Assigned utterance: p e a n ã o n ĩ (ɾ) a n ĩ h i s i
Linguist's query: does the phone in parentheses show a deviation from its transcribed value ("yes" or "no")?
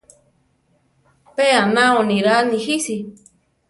no